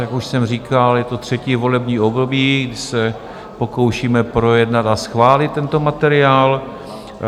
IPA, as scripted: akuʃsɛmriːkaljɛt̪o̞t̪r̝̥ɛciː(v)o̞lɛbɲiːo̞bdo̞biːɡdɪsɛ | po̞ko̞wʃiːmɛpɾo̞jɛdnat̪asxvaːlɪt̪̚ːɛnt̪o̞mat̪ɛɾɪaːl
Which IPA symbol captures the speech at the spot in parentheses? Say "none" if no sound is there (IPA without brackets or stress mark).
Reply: v